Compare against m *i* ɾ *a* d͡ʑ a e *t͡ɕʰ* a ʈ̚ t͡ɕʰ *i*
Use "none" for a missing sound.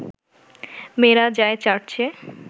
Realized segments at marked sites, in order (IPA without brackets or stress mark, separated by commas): e, a, t͡ɕ, e